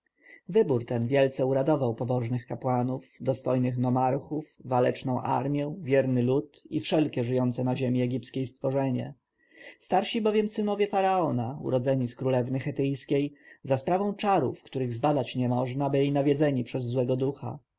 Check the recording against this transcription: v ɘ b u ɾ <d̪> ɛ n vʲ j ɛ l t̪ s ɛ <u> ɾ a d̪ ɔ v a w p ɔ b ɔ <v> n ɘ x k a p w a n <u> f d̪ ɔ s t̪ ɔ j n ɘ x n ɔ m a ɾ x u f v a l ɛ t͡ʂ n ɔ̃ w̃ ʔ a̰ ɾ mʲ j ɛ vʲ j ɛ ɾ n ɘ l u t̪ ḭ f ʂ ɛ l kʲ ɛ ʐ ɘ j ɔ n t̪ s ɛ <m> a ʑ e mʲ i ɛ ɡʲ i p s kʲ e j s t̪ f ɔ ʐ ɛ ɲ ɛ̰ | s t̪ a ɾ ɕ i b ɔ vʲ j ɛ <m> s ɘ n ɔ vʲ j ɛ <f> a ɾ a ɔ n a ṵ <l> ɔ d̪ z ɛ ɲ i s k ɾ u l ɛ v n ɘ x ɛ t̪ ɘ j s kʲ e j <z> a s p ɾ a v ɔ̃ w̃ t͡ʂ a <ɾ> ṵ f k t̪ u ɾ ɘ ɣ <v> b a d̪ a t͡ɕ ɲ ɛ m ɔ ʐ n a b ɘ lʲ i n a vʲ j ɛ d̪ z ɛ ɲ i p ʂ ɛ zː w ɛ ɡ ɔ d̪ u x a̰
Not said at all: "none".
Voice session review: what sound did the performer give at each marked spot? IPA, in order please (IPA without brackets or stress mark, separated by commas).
t̪, u, ʐ, u, n, m, f, ɾ, z, ɾ, z